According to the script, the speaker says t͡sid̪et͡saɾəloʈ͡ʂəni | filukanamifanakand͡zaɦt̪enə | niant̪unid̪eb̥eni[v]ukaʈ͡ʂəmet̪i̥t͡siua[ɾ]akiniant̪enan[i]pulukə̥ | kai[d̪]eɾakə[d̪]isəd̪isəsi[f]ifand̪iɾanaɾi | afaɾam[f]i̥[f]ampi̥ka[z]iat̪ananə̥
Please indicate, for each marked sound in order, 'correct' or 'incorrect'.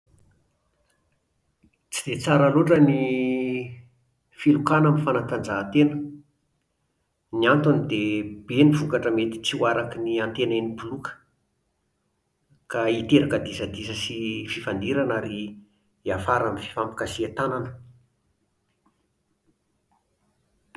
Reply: correct, correct, correct, incorrect: t̪, correct, correct, correct, correct, incorrect: s

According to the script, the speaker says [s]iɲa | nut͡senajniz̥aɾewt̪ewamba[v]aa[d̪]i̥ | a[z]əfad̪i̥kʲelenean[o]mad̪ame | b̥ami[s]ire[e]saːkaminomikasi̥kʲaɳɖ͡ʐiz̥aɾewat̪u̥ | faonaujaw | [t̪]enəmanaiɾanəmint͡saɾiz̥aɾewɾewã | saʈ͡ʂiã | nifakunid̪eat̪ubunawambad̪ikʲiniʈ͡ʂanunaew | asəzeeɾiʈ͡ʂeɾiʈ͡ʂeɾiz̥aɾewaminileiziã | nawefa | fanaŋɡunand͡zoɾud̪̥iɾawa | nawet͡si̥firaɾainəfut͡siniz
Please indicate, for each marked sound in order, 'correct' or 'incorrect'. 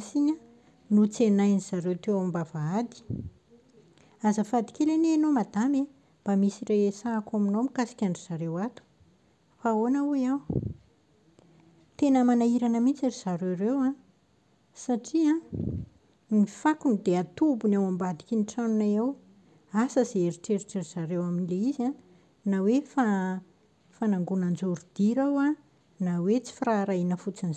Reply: correct, correct, correct, correct, correct, correct, correct, correct

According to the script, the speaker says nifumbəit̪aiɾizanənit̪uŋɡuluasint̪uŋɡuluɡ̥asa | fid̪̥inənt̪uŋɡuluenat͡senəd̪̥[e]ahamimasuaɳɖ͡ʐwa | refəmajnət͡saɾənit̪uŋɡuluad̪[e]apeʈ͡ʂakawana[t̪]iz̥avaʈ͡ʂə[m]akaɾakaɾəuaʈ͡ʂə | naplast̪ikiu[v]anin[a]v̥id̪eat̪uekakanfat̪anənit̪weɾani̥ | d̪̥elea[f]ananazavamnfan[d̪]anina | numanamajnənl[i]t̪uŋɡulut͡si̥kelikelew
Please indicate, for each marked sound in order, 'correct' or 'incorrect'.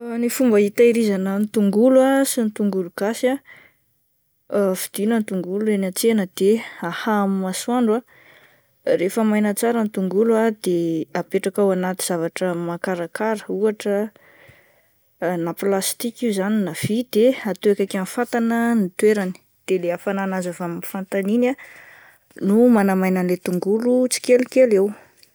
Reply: correct, correct, correct, correct, incorrect: z, correct, correct, incorrect: t̪, incorrect: e

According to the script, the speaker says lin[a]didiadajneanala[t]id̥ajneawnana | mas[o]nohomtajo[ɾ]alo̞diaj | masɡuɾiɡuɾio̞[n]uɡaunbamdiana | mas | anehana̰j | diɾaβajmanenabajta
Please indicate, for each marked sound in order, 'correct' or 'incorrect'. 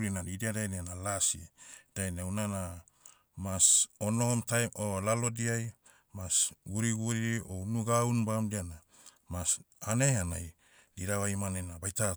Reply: correct, incorrect: s, correct, incorrect: l, correct

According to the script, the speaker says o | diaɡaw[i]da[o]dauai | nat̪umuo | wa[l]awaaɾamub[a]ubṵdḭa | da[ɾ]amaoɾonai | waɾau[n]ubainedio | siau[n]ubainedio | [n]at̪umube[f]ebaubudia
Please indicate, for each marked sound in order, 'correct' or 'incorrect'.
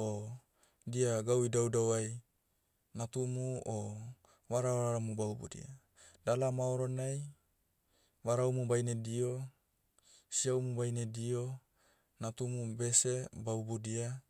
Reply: correct, incorrect: u, incorrect: ɾ, correct, incorrect: l, incorrect: m, incorrect: m, correct, incorrect: s

